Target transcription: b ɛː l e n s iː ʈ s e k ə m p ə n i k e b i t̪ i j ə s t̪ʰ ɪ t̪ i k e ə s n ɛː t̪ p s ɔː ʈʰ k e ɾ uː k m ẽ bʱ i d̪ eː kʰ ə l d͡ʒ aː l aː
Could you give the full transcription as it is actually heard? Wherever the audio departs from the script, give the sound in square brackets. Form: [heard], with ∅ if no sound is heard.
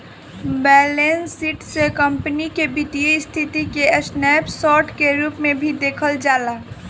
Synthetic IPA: b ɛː l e n s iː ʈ s e k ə m p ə n i k e b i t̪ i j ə s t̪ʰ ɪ t̪ i k e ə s n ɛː [∅] p s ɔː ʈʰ k e ɾ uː [p] m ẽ bʱ i d̪ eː kʰ ə l d͡ʒ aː l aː